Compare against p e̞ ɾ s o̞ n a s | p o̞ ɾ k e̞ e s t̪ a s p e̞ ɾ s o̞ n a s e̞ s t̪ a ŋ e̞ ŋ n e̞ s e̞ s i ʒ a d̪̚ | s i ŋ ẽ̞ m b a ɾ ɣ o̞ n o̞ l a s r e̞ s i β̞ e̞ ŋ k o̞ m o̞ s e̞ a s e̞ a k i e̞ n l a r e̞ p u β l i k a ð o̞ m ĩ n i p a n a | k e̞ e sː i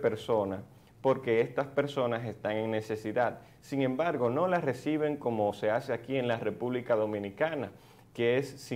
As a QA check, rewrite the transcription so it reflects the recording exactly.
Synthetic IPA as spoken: p e̞ ɾ s o̞ n a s | p o̞ ɾ k e̞ e s t̪ a s p e̞ ɾ s o̞ n a s e̞ s t̪ a ŋ e̞ ŋ n e̞ s e̞ s i ð a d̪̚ | s i ŋ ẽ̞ m b a ɾ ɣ o̞ n o̞ l a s r e̞ s i β̞ e̞ ŋ k o̞ m o̞ s e̞ a s e̞ a k i e̞ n l a r e̞ p u β l i k a ð o̞ m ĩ n i k a n a | k e̞ e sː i